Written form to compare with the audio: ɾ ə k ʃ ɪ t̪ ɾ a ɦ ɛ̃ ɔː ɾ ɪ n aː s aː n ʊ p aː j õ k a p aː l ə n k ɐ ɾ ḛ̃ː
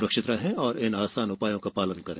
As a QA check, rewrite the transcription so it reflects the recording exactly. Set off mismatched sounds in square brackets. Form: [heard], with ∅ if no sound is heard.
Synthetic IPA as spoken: ɾ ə k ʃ ɪ t̪ ɾ a ɦ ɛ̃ ɔː ɾ ɪ n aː s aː n ʊ p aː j õ k a p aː l ə n k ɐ ɾ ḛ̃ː